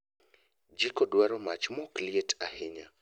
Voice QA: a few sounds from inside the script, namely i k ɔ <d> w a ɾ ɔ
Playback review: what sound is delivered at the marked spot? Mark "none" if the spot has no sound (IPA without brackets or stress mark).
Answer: d